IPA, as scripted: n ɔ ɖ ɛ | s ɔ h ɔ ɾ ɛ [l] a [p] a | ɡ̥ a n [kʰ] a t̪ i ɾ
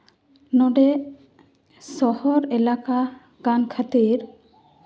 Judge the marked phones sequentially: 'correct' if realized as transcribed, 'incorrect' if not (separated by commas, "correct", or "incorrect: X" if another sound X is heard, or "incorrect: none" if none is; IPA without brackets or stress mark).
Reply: correct, incorrect: k, correct